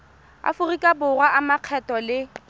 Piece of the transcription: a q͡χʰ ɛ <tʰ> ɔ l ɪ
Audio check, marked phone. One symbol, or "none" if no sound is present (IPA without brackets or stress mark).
t